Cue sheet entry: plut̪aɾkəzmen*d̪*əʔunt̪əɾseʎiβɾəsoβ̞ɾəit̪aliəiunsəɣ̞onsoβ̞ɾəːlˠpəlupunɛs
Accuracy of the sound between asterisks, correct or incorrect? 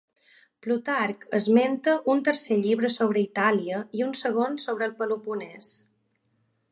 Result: incorrect: t̪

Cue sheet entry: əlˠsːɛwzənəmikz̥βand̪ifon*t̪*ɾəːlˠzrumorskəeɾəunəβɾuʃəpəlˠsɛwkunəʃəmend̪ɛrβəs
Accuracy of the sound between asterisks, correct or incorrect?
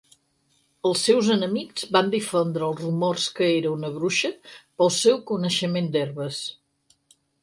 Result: incorrect: d̪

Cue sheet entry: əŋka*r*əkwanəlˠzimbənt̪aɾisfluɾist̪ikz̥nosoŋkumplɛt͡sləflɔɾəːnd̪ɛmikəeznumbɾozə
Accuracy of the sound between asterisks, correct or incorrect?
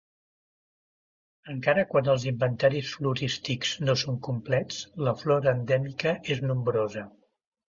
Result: incorrect: ɾ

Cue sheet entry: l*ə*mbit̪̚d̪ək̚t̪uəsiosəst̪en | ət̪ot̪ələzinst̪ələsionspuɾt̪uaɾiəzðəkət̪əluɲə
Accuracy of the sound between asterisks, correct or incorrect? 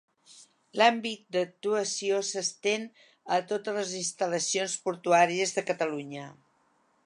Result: incorrect: a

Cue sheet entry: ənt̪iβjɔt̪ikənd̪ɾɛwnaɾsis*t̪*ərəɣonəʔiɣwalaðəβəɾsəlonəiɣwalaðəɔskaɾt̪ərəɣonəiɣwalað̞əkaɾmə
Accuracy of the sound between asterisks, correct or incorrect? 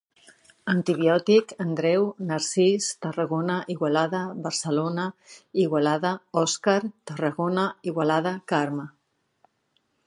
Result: correct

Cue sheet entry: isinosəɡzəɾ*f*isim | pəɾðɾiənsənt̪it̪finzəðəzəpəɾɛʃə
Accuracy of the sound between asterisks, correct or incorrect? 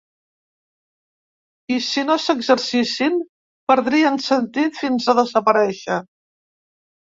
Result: incorrect: s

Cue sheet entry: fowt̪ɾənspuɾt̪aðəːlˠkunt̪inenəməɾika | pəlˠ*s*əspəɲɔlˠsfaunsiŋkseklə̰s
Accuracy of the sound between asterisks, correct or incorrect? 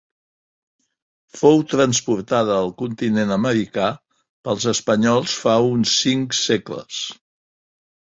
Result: incorrect: z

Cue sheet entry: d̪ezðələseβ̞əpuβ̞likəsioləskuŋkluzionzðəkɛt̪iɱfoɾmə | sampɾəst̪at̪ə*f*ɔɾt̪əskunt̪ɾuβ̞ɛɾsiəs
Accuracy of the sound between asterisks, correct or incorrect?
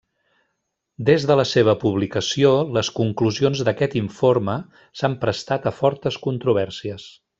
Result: correct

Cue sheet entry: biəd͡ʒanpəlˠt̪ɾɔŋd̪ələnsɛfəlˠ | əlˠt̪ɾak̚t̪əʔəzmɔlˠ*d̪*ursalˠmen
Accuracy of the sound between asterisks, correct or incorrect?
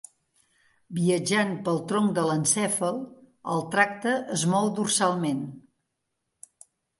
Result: correct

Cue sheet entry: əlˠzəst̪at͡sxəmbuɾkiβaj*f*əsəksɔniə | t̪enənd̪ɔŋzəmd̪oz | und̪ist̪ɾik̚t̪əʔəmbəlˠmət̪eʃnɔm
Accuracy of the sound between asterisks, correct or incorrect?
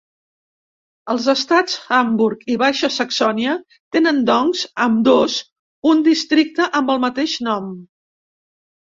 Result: incorrect: ʃ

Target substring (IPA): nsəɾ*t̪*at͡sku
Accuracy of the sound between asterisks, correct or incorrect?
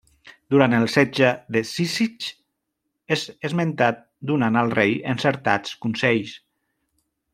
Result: correct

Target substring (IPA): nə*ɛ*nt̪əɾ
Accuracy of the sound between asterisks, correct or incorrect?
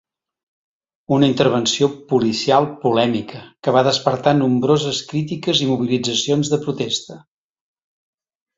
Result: incorrect: i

